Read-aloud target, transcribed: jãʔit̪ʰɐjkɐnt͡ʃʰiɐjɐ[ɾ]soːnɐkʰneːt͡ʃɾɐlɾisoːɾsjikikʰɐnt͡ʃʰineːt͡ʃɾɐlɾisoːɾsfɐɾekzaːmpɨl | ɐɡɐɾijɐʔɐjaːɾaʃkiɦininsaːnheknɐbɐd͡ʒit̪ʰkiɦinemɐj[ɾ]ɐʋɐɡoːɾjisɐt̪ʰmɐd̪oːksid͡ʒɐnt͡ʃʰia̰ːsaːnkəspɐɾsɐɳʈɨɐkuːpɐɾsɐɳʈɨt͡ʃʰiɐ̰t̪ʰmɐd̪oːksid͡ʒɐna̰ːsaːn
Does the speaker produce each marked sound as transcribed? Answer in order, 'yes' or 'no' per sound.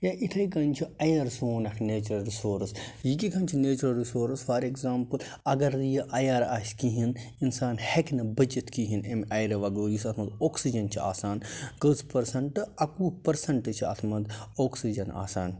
yes, yes

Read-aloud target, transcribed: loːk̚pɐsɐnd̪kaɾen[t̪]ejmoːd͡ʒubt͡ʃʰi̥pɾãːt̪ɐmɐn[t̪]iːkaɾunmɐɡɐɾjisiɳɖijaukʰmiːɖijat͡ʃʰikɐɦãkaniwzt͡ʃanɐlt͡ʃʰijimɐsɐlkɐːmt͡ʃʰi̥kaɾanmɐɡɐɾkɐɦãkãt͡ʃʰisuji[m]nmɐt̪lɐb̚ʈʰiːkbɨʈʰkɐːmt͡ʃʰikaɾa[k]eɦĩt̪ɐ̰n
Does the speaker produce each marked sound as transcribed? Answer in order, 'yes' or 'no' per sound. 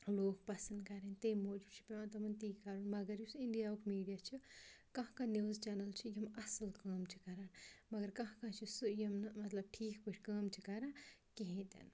yes, yes, yes, yes

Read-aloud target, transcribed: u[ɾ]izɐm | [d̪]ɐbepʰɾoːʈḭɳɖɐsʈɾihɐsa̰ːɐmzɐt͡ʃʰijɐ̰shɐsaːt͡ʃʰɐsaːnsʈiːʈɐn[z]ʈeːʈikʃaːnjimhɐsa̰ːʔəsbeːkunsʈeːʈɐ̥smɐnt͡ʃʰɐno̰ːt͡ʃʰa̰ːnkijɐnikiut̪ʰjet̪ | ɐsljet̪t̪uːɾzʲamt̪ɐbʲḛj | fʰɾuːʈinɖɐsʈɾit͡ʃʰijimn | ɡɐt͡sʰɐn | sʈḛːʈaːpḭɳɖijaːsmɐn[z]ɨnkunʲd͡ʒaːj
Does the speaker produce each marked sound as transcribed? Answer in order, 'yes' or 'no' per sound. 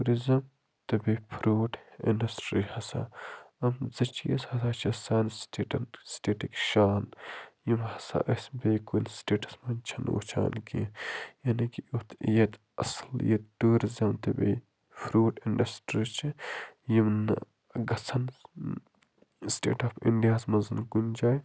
yes, no, no, yes

